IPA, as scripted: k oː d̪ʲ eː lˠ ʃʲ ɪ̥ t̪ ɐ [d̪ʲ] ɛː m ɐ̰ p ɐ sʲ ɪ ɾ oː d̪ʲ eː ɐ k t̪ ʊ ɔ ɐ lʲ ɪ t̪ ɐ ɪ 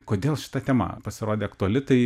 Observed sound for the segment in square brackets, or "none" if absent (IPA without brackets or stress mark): t̪ʲ